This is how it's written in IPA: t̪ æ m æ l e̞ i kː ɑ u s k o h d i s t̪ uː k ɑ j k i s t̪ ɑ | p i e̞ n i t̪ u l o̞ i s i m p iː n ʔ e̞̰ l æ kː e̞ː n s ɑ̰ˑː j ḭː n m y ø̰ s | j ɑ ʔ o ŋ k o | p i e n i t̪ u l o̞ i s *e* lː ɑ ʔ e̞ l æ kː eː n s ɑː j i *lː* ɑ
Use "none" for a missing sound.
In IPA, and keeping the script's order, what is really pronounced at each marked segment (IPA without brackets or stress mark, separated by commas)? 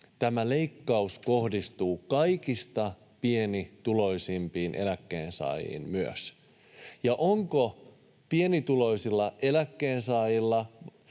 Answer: i, lː